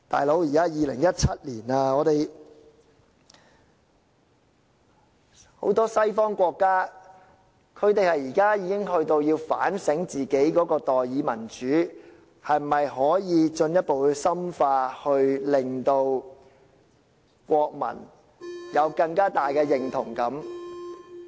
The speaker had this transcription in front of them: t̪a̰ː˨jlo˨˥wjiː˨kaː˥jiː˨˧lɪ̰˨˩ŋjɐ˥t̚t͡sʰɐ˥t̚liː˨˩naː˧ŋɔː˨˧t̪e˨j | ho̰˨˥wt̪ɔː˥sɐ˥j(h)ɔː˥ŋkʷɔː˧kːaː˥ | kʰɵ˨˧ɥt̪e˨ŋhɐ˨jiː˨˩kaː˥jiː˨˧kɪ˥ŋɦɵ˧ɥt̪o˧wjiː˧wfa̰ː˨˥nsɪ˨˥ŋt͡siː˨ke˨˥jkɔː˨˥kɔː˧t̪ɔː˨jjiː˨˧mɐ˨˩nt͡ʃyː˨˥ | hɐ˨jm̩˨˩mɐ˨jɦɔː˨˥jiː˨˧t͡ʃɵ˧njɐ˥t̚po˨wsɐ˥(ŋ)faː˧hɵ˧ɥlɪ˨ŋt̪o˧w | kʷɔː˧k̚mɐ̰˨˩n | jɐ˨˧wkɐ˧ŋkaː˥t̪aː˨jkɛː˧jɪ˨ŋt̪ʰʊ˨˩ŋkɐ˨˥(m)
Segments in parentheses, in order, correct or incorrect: incorrect: f, incorrect: m, correct

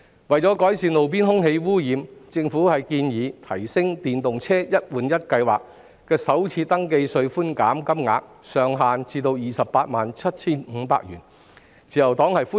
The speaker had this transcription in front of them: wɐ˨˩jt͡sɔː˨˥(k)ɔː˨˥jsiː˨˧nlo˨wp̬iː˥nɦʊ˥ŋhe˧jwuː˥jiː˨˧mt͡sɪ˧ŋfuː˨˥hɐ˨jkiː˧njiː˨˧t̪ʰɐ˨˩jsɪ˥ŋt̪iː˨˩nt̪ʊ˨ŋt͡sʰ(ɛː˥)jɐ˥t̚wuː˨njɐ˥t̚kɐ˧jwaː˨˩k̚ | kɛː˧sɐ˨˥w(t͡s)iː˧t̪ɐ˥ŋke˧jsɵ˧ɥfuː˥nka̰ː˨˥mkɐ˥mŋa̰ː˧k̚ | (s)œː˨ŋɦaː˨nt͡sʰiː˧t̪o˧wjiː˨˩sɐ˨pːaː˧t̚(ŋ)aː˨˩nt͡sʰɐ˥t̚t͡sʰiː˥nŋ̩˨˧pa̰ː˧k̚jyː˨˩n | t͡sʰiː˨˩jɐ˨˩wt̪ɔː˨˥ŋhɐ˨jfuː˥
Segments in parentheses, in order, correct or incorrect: correct, correct, incorrect: t͡sʰ, correct, incorrect: m

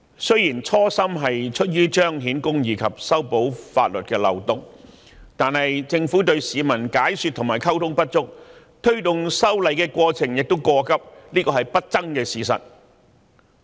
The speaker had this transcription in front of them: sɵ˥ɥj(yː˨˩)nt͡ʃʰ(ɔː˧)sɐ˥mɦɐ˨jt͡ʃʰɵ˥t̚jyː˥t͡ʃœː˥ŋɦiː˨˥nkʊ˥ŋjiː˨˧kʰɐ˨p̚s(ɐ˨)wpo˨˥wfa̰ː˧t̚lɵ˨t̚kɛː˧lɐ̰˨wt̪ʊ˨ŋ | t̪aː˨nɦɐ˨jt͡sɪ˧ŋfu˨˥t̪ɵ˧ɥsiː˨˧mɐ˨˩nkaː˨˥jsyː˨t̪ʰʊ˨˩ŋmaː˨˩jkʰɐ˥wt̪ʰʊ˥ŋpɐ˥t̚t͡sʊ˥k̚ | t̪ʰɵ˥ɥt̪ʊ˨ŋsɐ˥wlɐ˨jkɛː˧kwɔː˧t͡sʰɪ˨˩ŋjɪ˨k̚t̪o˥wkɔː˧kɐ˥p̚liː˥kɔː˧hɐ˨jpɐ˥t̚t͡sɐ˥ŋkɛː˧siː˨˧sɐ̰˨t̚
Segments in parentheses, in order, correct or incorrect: incorrect: iː˨˩, incorrect: ɔː˥, incorrect: ɐ˥

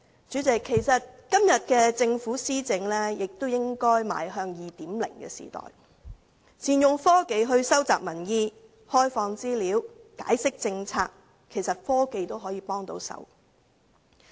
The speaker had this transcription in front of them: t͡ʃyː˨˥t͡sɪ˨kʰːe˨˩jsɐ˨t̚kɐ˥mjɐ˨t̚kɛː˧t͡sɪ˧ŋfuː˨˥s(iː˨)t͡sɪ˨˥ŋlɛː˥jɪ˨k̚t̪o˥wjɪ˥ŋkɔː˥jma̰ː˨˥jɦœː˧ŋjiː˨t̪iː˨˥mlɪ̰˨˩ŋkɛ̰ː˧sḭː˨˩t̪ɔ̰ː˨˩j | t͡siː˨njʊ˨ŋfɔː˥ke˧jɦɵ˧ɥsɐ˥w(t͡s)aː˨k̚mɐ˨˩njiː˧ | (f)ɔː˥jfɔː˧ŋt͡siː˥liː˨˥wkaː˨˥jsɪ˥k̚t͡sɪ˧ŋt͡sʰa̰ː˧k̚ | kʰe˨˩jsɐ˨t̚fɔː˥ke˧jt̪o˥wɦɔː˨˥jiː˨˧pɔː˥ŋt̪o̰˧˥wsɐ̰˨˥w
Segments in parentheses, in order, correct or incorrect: incorrect: iː˥, correct, incorrect: h

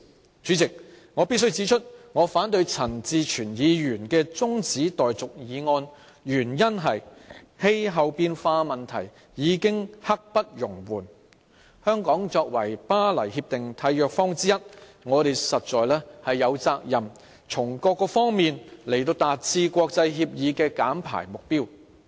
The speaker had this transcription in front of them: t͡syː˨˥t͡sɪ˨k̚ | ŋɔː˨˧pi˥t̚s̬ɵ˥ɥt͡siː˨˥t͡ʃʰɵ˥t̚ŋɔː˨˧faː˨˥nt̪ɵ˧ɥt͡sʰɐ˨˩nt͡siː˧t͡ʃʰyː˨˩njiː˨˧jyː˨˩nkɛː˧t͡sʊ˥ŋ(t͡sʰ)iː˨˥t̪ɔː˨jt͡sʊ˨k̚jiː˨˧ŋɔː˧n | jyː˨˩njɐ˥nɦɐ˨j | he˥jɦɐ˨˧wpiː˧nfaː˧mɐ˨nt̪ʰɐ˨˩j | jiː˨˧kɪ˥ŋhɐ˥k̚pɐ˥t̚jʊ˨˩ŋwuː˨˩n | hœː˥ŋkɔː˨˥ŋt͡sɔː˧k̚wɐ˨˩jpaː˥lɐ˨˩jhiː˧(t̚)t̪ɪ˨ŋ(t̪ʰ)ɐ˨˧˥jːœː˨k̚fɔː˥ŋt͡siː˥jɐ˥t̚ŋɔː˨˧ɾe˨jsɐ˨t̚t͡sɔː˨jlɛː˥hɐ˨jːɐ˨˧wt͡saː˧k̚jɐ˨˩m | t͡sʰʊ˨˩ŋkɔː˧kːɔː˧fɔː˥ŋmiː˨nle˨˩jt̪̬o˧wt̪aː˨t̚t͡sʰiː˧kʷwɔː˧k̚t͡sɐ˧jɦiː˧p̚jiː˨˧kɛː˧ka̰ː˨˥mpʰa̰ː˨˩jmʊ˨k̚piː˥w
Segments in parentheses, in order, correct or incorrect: incorrect: t͡s, incorrect: p̚, correct

